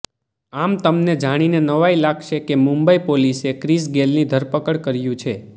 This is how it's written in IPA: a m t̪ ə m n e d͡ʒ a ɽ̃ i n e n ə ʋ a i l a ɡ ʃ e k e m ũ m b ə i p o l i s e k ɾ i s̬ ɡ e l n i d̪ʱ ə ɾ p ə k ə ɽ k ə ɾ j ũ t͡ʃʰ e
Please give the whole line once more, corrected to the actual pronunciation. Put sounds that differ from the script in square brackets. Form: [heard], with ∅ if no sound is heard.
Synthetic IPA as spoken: a m t̪ ə m n e d͡ʒ a ɽ̃ i n e n ə ʋ a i l a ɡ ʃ e k e m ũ m b ə i p o l i s e k ɾ i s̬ ɡ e l n i d̪ʱ ə ɾ p ə k ə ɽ k ə ɾ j ũ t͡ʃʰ e